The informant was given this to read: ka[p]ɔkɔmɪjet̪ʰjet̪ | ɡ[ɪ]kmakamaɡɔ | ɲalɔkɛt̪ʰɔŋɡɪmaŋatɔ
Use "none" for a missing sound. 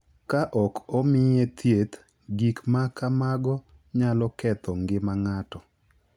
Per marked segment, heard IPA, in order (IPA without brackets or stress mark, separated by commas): ʔ, i